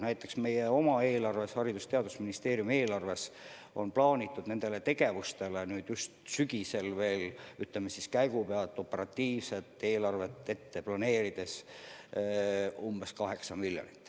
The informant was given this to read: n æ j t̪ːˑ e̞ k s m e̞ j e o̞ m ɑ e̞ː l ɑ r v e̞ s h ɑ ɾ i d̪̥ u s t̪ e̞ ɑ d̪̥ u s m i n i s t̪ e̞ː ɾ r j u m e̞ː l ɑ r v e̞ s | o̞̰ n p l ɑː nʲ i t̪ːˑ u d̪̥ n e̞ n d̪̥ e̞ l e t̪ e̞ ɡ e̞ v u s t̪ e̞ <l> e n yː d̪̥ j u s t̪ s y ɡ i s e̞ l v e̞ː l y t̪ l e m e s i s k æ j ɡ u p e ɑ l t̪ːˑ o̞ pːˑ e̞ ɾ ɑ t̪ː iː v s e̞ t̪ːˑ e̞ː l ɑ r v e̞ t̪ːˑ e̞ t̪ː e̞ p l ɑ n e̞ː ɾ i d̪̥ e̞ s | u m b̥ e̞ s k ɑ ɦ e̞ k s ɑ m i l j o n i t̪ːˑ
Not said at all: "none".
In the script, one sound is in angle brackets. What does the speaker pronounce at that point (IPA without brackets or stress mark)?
l